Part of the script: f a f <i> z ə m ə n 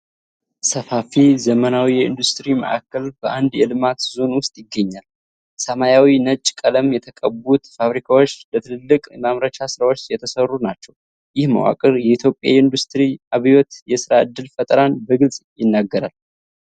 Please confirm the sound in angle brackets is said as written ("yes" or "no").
yes